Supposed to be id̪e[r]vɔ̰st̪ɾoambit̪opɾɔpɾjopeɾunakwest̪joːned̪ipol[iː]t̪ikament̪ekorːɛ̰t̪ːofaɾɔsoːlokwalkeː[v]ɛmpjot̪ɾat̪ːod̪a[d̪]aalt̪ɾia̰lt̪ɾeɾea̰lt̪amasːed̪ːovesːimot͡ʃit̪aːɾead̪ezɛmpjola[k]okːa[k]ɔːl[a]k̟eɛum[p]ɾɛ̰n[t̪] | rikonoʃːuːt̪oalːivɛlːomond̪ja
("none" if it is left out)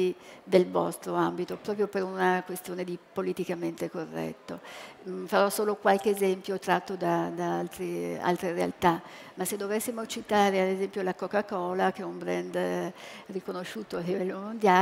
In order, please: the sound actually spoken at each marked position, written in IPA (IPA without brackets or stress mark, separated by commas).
l, i, z, d̪, k, k, a, b, d̪